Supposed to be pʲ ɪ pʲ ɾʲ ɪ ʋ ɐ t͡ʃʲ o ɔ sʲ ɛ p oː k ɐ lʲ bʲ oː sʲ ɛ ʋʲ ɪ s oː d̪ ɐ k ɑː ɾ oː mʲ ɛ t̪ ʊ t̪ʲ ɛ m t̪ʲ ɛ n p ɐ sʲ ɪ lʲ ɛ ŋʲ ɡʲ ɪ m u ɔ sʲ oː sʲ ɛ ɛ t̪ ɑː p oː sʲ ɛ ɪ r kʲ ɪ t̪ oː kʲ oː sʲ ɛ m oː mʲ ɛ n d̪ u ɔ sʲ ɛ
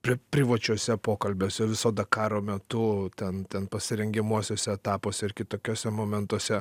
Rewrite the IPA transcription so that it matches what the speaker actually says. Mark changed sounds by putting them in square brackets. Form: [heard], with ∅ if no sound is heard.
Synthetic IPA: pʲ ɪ pʲ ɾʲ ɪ ʋ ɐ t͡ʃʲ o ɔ sʲ ɛ p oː k ɐ lʲ bʲ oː sʲ ɛ ʋʲ ɪ s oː d̪ ɐ k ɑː ɾ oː mʲ ɛ t̪ ʊ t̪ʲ ɛ [n] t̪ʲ ɛ n p ɐ sʲ ɪ [ɾʲ] ɛ ŋʲ ɡʲ ɪ m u ɔ sʲ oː sʲ ɛ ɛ t̪ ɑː p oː sʲ ɛ ɪ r kʲ ɪ t̪ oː kʲ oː sʲ ɛ m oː mʲ ɛ n [t̪] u ɔ sʲ ɛ